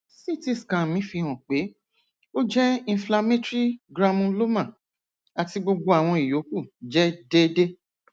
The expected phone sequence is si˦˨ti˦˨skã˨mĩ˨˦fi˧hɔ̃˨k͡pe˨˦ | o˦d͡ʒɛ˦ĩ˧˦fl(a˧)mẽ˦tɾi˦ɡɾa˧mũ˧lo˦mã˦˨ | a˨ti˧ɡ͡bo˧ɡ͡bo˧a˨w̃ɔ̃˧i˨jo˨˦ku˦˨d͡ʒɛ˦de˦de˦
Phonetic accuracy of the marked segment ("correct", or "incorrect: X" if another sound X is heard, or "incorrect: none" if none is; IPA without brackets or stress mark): correct